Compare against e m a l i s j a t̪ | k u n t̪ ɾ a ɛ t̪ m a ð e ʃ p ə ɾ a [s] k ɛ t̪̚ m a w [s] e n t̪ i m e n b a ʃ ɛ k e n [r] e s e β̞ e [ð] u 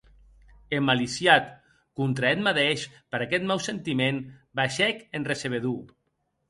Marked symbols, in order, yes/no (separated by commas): no, yes, yes, yes